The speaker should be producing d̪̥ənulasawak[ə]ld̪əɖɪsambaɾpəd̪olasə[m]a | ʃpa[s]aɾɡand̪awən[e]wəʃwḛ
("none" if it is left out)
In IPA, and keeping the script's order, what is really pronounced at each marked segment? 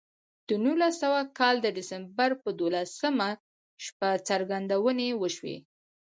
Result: ɑ, m, t͡s, e

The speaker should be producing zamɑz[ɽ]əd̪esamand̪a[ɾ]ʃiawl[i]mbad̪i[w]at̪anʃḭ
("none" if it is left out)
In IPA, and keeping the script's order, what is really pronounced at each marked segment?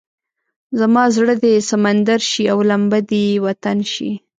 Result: ɽ, ɾ, a, w

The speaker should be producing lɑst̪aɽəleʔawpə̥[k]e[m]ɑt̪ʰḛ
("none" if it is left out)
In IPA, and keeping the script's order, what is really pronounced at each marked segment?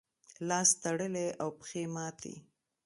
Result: x, m

